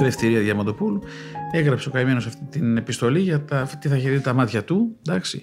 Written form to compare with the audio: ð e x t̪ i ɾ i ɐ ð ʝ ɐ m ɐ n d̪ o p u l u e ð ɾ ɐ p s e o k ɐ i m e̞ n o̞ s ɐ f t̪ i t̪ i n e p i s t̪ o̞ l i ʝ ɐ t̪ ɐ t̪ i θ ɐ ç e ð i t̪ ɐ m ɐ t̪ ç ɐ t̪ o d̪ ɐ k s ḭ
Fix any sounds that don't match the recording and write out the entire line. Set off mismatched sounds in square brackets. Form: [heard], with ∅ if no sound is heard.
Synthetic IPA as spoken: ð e [f] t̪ i ɾ i ɐ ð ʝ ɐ m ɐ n d̪ o p u l u e [ɣ] ɾ ɐ p s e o k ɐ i m e̞ n o̞ s ɐ f t̪ i t̪ i n e p i s t̪ o̞ l i ʝ ɐ t̪ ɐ t̪ i θ ɐ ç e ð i t̪ ɐ m ɐ t̪ ç ɐ t̪ [u] d̪ ɐ k s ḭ